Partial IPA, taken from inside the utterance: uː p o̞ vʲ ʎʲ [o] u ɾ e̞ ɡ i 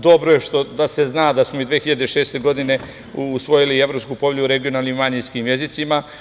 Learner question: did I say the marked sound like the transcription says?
no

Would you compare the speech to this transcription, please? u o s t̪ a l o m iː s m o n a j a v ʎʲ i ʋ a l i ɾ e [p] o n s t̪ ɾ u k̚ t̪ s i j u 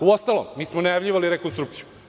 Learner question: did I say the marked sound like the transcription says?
no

